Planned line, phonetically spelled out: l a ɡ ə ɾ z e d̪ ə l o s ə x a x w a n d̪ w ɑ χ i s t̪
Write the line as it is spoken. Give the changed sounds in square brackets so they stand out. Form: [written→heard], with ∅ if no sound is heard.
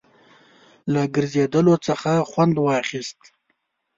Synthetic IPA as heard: l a ɡ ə ɾ z e d̪ ə l o [s→t͡s] ə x a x w a n d̪ w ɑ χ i s t̪